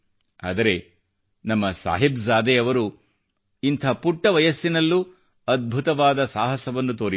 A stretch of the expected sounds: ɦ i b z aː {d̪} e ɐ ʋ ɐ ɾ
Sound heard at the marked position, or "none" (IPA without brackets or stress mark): d̪